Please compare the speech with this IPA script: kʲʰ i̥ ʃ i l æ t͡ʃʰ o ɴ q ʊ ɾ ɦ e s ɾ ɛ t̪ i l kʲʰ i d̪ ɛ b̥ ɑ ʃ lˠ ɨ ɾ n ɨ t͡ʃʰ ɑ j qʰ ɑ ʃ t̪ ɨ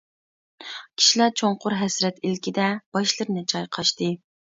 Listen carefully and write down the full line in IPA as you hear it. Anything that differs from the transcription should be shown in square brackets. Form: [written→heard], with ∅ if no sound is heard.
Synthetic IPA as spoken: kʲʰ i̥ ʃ i l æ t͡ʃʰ o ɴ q ʊ ɾ ɦ [e→ɛ] s ɾ ɛ t̪ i l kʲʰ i d̪ ɛ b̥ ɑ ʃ lˠ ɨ ɾ n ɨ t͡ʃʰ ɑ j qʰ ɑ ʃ t̪ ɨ